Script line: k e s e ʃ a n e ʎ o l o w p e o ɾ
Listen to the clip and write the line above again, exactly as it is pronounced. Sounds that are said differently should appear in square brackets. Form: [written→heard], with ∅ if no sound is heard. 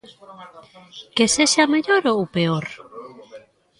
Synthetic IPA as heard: k e s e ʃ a [n→m] e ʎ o [l→ɾ] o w p e o ɾ